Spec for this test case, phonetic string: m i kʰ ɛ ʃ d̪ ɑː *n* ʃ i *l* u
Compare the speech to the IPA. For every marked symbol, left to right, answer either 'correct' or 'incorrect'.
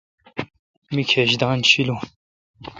correct, correct

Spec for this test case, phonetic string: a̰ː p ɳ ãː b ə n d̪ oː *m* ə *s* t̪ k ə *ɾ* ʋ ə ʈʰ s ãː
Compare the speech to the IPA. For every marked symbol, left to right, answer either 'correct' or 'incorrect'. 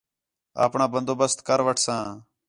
incorrect, correct, correct

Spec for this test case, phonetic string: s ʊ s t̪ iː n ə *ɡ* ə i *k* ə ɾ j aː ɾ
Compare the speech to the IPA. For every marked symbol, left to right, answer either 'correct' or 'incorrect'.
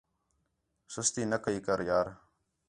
incorrect, correct

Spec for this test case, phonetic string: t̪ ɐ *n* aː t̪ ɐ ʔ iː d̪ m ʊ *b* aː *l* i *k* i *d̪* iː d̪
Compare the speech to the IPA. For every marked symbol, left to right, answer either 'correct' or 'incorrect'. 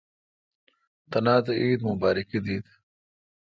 correct, correct, incorrect, correct, correct

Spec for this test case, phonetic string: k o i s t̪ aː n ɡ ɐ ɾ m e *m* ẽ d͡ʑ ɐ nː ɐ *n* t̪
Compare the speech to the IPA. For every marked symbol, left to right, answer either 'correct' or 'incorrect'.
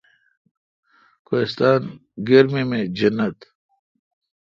correct, incorrect

